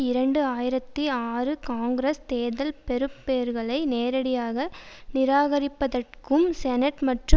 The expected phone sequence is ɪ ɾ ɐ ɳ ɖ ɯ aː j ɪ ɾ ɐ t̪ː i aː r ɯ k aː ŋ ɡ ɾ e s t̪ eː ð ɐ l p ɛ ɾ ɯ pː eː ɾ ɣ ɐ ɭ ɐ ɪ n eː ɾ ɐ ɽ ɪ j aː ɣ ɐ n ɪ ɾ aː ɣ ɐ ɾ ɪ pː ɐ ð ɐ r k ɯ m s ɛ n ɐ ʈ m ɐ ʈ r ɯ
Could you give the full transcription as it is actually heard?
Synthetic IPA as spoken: ɪ ɾ ɐ ɳ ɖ ɯ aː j ɪ ɾ ɐ t̪ː i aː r ɯ k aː ŋ ɡ ɾ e s t̪ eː ð ɐ l p ɛ ɾ ɯ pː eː ɾ ɣ ɐ ɭ ɐ ɪ n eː ɾ ɐ ɽ ɪ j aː ɣ ɐ n ɪ ɾ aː ɣ ɐ ɾ ɪ pː ɐ ð ɐ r k ɯ m s ɛ n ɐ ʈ m ɐ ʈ r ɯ